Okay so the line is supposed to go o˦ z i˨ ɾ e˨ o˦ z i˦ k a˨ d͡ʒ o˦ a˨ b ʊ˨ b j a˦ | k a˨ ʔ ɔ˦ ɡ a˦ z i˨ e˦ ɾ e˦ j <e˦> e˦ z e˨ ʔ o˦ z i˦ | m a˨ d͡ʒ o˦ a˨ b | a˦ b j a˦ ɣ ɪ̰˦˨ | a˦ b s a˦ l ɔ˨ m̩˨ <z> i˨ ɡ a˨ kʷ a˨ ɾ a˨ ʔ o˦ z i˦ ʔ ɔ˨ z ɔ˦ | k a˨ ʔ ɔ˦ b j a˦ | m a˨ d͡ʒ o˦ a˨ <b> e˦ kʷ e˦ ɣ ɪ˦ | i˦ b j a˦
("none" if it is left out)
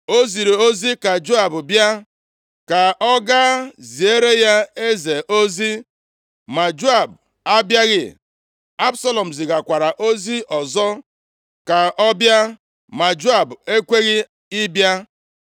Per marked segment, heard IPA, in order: a˦, z, b

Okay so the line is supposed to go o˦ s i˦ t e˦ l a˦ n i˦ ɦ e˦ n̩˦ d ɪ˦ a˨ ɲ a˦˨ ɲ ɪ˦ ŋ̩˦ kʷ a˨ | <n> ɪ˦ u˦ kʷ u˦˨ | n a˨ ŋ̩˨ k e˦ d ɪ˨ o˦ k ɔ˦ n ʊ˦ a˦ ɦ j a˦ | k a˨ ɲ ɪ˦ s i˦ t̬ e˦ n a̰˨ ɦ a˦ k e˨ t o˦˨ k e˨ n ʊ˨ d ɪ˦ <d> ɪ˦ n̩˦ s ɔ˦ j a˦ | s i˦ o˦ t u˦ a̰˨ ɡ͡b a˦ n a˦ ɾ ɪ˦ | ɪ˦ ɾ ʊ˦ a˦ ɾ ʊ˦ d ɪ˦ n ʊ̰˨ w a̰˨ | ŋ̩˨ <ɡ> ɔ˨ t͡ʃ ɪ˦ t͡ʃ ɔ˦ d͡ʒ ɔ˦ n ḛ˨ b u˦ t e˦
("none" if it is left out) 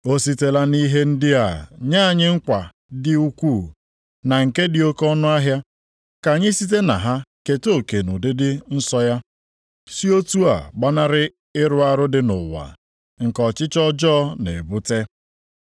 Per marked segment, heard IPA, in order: d, d, k

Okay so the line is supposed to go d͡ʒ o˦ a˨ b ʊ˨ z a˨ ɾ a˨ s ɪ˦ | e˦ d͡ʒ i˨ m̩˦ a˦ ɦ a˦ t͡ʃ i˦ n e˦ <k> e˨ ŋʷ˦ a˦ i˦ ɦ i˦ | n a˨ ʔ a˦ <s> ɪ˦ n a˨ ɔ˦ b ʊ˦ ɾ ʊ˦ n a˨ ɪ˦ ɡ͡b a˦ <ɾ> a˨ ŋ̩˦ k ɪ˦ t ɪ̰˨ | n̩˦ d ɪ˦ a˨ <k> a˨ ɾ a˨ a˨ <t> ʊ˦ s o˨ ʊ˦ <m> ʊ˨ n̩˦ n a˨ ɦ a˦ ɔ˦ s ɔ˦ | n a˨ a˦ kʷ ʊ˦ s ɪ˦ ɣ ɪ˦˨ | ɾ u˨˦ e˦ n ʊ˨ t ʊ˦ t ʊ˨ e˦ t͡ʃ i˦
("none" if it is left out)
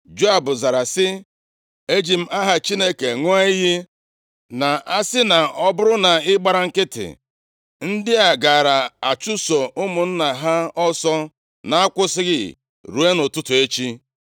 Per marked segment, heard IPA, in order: k, s, ɾ, ɡ, t͡ʃ, m

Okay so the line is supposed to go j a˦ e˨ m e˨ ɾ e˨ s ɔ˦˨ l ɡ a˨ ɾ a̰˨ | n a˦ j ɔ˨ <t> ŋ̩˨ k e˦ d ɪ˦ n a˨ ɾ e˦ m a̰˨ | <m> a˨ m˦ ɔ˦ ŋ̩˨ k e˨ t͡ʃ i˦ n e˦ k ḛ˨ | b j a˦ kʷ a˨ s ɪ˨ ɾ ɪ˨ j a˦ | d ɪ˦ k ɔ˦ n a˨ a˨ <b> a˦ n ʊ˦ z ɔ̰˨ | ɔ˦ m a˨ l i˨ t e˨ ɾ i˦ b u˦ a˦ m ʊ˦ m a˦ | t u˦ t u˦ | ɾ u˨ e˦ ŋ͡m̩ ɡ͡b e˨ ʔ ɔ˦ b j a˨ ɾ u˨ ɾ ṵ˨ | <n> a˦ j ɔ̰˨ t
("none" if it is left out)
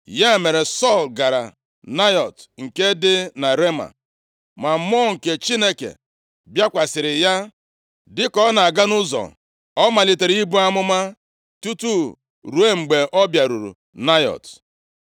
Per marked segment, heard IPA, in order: t, m, ɡ, n

